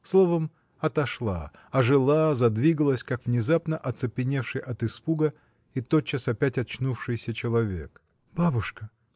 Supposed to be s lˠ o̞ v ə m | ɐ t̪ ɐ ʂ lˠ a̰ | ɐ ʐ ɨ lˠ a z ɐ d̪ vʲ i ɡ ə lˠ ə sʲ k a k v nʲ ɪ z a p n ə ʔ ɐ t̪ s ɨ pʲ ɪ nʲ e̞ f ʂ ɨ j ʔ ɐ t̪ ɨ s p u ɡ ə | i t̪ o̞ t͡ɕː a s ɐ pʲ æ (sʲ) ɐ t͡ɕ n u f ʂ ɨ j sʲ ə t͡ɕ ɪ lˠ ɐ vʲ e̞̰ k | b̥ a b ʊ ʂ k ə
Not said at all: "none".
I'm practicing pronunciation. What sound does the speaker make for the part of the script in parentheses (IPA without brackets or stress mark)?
tʲ